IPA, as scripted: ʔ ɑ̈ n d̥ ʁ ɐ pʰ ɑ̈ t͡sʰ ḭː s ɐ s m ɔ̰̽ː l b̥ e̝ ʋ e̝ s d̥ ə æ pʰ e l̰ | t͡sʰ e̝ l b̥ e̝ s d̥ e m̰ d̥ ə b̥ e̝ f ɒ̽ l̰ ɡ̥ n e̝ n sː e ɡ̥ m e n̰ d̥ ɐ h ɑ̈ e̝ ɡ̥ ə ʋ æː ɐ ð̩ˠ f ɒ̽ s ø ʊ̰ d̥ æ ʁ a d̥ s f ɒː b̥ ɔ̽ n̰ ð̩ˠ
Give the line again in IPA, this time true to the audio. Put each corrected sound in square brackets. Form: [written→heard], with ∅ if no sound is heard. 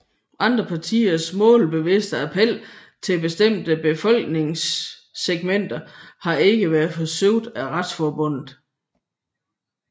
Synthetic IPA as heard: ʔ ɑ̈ n d̥ ʁ ɐ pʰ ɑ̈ t͡sʰ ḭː [s→∅] ɐ s m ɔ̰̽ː l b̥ e̝ ʋ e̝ s d̥ ə æ pʰ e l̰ | t͡sʰ e̝ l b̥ e̝ s d̥ e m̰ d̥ ə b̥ e̝ f ɒ̽ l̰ ɡ̥ n e̝ [n→ŋ] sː e ɡ̥ m e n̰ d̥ ɐ h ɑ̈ e̝ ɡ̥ ə ʋ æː ɐ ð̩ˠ f ɒ̽ s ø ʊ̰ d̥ æ ʁ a d̥ s f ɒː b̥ ɔ̽ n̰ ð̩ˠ